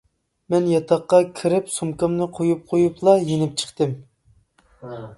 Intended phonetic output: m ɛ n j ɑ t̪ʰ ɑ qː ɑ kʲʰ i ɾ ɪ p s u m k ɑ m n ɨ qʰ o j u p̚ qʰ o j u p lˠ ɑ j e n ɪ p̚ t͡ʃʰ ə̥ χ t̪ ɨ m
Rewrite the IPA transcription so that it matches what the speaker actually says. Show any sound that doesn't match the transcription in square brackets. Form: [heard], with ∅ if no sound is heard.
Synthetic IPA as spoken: m ɛ n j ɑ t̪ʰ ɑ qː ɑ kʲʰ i ɾ ɪ p s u m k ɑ m n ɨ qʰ o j u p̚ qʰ o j u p lˠ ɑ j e n ɪ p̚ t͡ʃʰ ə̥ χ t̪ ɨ m